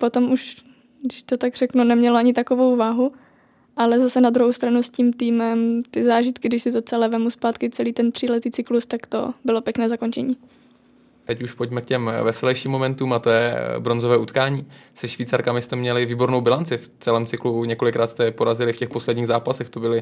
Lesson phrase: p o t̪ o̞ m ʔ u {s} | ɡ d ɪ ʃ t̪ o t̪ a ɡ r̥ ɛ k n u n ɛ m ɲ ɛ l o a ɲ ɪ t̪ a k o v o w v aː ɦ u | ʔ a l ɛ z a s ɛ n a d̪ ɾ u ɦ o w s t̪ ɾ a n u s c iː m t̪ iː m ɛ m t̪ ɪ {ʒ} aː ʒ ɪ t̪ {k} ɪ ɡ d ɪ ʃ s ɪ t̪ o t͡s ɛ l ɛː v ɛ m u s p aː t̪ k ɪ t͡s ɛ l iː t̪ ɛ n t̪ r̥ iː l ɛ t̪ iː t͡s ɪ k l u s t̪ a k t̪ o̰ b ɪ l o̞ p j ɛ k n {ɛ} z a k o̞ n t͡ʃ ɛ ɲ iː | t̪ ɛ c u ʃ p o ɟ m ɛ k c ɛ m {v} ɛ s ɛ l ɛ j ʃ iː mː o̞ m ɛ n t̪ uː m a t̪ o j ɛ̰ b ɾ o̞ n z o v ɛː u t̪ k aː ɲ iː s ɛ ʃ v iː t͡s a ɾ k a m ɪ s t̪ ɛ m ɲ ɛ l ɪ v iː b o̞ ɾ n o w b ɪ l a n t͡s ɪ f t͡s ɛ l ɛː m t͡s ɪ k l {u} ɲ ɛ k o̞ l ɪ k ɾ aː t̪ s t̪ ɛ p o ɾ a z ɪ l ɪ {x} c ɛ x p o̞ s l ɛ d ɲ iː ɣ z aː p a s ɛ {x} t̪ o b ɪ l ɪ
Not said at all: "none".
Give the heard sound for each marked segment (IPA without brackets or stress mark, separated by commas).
ʃ, z, k, ɛː, v, u, f, x